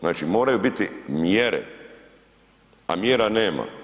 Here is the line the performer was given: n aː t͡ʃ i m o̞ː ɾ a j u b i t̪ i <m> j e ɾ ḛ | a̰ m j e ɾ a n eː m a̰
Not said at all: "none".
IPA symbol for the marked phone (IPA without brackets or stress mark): m